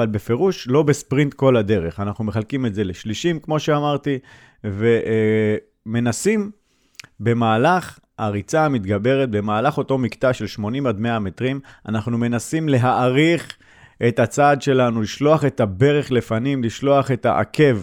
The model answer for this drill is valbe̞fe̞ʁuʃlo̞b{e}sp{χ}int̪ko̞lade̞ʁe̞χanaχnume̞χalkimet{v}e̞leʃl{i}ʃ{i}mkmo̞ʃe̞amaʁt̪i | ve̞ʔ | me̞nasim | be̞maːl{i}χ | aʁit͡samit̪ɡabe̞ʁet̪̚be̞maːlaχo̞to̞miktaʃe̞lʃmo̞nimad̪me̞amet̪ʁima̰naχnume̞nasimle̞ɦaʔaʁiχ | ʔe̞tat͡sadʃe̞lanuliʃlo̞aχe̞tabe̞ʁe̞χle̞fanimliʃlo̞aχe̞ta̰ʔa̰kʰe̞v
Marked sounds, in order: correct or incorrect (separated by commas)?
correct, incorrect, incorrect, correct, correct, incorrect